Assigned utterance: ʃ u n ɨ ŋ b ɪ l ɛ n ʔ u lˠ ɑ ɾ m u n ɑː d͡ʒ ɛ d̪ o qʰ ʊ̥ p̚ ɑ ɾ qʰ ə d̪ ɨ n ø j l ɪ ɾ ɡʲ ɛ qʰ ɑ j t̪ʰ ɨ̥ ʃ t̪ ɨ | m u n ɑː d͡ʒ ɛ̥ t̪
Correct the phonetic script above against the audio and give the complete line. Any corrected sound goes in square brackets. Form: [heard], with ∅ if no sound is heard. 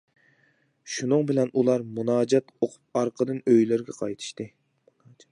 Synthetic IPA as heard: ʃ u n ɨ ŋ b ɪ l ɛ n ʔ u lˠ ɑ ɾ m u n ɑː d͡ʒ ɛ [t̪] o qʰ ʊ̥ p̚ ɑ ɾ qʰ ə d̪ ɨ n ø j l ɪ ɾ ɡʲ ɛ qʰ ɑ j t̪ʰ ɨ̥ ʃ t̪ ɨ | m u n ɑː d͡ʒ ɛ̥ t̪